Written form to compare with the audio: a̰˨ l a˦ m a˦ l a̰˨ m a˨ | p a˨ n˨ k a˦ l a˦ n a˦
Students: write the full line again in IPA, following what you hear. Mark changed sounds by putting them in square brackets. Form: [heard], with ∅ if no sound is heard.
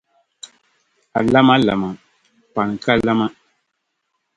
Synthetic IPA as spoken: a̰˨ l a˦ m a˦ l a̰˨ m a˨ | p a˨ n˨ k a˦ l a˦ [m] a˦